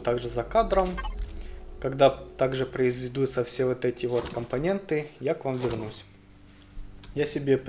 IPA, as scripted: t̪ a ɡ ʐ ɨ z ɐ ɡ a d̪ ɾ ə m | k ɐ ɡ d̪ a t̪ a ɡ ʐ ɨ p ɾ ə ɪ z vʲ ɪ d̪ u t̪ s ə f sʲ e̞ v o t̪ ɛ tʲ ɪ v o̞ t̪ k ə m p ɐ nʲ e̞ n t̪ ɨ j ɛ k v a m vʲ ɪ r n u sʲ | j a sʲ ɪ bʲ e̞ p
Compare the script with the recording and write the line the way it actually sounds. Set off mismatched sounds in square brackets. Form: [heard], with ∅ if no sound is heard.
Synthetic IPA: t̪ a ɡ ʐ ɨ z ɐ [k] a d̪ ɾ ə m | k ɐ ɡ d̪ a t̪ a ɡ ʐ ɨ p ɾ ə ɪ z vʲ ɪ d̪ u t̪ s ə f sʲ e̞ v o t̪ ɛ tʲ ɪ v o̞ t̪ k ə m p ɐ nʲ e̞ n t̪ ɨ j [a] k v a m vʲ ɪ r n u sʲ | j a sʲ ɪ bʲ e̞ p